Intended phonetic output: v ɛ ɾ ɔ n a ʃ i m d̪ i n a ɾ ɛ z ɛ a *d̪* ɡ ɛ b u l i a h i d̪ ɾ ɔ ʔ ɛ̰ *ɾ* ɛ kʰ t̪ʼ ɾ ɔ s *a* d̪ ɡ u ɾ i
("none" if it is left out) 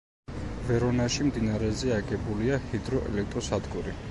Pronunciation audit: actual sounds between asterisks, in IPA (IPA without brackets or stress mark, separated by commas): none, l, a